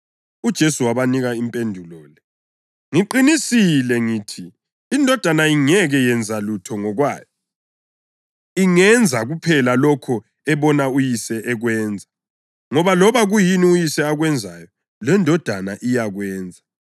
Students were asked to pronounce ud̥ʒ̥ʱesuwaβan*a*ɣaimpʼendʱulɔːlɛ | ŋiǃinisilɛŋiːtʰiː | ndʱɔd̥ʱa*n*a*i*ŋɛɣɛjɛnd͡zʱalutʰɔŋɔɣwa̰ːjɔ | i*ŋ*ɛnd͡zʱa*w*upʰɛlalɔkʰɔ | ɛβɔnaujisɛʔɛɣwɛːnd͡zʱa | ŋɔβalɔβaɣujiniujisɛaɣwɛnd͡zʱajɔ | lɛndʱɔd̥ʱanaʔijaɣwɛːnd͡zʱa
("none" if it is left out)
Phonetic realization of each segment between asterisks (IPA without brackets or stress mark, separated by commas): i, n, i, ŋ, ɣ